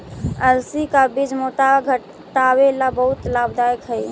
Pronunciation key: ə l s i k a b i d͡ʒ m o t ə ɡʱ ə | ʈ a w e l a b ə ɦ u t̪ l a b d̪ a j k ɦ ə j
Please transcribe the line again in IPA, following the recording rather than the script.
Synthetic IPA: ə l s i k a b i d͡ʒ m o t a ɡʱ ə | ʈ a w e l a b ə ɦ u t̪ l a b d̪ a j k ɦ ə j